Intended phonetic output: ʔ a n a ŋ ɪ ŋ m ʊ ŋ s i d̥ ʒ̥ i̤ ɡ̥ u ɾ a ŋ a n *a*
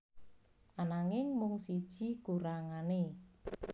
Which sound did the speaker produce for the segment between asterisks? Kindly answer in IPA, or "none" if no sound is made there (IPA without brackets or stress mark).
e